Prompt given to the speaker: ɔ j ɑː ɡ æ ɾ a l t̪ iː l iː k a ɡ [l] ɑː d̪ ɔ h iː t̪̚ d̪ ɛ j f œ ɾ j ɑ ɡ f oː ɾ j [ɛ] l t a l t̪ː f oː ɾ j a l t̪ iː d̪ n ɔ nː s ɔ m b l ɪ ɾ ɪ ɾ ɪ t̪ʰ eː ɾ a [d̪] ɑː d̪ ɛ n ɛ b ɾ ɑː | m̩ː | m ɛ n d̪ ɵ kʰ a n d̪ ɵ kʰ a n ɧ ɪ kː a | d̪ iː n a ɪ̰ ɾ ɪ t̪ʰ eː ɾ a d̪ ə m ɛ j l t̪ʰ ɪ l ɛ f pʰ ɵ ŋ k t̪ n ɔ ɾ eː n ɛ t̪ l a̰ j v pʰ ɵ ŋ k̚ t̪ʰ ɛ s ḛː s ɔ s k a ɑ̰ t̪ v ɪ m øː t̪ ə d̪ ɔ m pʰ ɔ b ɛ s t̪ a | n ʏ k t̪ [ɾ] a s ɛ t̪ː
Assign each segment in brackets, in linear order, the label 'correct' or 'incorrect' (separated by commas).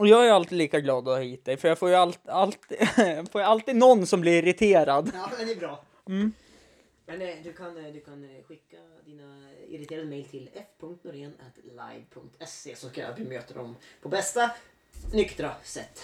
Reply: correct, incorrect, correct, correct